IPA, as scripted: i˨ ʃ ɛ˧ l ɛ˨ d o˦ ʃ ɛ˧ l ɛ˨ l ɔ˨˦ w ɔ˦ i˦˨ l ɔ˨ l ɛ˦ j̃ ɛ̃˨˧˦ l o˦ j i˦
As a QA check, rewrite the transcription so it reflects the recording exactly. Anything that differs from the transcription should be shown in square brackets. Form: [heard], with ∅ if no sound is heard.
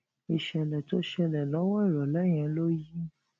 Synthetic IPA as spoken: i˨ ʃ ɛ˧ l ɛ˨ [t] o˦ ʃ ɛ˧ l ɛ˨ l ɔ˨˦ w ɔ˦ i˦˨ [ɾ] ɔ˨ l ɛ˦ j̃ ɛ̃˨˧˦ l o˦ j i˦